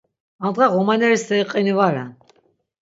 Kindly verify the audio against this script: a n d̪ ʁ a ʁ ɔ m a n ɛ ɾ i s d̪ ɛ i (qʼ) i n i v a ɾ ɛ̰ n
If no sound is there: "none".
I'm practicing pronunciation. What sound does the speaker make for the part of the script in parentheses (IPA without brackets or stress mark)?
qʼ